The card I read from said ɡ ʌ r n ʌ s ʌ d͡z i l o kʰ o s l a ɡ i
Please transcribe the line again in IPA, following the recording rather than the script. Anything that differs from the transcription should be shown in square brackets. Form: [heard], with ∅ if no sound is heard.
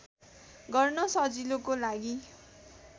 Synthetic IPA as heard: ɡ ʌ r n ʌ s ʌ d͡z i l o [k] o [∅] l a ɡ i